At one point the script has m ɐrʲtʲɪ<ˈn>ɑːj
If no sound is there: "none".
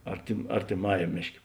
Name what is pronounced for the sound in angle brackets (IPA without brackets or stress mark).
m